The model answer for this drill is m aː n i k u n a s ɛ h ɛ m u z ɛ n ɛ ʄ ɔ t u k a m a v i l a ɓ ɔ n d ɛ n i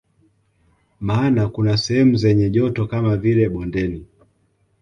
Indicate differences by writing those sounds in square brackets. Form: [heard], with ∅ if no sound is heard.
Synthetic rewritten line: m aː n [a] k u n a s ɛ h ɛ m u z ɛ [ɲ] ɛ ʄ ɔ t [ɔ] k a m a v i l [ɛ] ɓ ɔ n d ɛ n i